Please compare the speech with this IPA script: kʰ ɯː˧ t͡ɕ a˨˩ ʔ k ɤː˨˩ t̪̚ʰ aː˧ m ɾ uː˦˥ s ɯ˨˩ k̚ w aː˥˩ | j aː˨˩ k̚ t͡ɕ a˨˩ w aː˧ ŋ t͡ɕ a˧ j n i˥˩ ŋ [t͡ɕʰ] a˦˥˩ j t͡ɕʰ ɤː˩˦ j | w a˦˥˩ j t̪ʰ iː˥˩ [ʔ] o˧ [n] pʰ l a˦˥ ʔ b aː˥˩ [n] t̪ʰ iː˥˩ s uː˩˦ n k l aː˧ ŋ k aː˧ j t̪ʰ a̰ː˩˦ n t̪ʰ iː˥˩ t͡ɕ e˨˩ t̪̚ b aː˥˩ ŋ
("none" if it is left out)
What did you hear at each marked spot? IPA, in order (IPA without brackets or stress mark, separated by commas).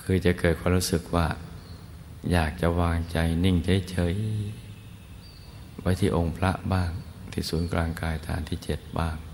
t͡ɕʰ, ʔ, ŋ, ŋ